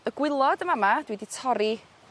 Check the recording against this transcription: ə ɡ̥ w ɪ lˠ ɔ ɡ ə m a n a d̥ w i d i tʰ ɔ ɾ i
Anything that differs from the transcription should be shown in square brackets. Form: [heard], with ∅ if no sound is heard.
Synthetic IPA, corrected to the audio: ə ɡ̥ w ɪ lˠ ɔ [d] ə m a [m] a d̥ w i d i tʰ ɔ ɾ i